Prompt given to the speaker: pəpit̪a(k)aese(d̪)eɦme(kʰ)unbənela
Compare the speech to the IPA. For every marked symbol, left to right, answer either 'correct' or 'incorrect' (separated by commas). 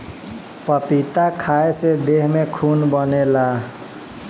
incorrect, correct, correct